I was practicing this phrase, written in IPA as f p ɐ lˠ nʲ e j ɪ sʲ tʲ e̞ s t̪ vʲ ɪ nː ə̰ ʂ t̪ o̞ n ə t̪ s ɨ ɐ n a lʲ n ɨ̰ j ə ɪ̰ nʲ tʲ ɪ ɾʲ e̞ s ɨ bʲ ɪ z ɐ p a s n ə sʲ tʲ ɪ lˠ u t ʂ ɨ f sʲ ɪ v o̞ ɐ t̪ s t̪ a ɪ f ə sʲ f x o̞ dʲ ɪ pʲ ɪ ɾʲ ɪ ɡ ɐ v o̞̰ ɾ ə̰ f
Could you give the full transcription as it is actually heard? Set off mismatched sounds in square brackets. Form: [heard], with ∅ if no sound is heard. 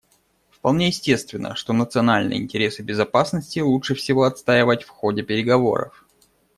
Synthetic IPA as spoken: f p ɐ lˠ nʲ e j ɪ sʲ tʲ e̞ s t̪ vʲ ɪ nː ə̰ ʂ t̪ o̞ n ə t̪ s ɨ ɐ n a lʲ n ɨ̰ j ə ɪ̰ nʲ tʲ ɪ ɾʲ e̞ s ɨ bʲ ɪ z ɐ p a s n ə sʲ tʲ ɪ lˠ u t ʂ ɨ f sʲ ɪ v o̞ ɐ t̪ s t̪ a ɪ [v] ə [tʲ] f x o̞ dʲ ɪ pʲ ɪ ɾʲ ɪ ɡ ɐ v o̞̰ ɾ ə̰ f